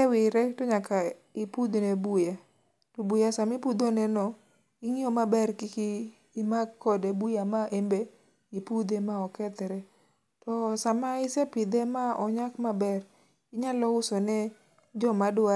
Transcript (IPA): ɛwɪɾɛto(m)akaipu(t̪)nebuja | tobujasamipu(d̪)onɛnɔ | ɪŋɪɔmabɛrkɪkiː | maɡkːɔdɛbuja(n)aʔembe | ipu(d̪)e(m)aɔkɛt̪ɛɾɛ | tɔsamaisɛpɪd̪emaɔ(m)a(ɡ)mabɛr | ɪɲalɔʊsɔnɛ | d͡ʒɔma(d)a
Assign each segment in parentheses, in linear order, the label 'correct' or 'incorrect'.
incorrect: ɲ, incorrect: d̪, correct, incorrect: m, correct, correct, incorrect: ɲ, incorrect: k, correct

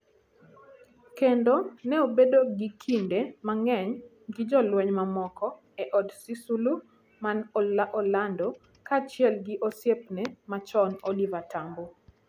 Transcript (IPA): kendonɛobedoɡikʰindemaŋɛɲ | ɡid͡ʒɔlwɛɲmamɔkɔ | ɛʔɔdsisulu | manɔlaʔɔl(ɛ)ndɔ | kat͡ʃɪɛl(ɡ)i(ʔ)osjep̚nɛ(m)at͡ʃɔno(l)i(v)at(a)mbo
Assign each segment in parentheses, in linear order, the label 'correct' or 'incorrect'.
incorrect: a, correct, correct, correct, correct, correct, correct

